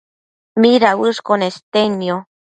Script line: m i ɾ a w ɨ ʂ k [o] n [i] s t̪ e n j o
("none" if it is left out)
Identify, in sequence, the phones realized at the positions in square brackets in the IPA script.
o, e

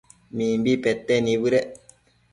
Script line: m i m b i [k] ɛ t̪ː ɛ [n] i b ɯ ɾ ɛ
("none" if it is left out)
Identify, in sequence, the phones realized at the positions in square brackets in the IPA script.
p, n

